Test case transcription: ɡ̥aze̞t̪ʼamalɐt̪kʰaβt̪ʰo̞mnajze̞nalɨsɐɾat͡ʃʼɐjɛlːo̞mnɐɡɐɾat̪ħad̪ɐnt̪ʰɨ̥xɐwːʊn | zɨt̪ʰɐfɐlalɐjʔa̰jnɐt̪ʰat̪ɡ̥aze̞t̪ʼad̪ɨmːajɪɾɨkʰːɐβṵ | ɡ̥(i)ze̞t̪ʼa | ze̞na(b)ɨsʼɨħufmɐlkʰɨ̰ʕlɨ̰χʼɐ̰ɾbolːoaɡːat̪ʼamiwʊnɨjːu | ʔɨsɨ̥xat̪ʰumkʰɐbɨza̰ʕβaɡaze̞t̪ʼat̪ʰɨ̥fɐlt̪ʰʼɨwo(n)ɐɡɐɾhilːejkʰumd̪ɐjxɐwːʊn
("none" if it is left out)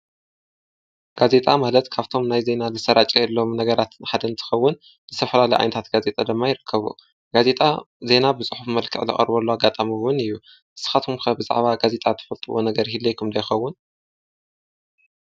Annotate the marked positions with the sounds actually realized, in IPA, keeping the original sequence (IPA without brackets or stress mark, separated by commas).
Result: a, b, n